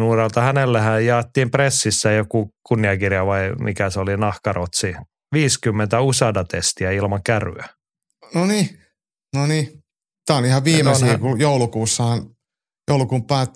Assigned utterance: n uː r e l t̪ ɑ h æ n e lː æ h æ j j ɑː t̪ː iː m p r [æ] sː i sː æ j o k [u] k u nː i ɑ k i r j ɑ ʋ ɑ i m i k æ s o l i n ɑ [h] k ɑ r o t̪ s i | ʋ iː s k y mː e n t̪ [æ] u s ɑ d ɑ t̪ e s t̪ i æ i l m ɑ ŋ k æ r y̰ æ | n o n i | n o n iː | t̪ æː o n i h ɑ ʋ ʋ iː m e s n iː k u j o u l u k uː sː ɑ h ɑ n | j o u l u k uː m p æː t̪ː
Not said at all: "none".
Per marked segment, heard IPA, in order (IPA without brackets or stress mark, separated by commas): e, u, h, æ